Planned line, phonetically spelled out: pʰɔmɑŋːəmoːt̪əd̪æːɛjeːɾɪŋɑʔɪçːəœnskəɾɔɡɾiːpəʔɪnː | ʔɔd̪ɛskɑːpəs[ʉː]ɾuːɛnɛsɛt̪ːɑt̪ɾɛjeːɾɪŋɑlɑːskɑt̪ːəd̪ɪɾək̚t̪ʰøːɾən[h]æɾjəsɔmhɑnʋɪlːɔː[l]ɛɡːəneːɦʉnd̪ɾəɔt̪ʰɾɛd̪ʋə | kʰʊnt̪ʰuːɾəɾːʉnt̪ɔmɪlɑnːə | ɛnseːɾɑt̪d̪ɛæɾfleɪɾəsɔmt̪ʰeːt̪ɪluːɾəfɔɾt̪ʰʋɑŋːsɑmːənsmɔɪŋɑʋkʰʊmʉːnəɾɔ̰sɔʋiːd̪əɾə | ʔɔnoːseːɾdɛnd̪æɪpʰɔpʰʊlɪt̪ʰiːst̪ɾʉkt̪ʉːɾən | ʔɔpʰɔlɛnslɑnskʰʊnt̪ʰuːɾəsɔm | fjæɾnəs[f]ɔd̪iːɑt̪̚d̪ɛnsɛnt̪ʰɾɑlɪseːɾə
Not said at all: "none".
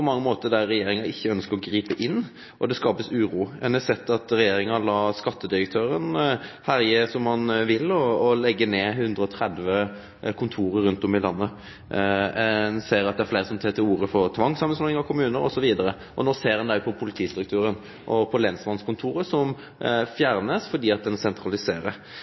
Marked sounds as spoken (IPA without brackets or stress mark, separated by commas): ʉː, h, l, f